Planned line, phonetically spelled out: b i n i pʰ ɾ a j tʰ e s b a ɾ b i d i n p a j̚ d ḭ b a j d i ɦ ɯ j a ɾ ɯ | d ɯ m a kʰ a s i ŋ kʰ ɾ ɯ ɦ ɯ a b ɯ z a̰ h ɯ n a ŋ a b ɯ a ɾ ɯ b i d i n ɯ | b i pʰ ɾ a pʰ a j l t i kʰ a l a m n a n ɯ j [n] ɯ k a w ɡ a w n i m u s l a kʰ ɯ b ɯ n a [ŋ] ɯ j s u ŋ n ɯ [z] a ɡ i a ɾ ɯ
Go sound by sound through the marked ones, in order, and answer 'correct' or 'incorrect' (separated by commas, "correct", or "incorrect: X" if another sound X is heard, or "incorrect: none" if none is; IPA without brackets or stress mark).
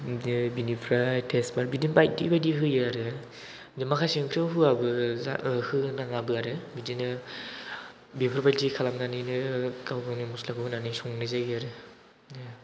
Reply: correct, incorrect: n, correct